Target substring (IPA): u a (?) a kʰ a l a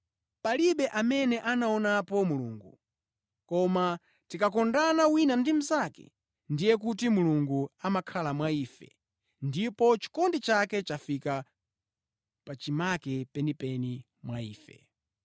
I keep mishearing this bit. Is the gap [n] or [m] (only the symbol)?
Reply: m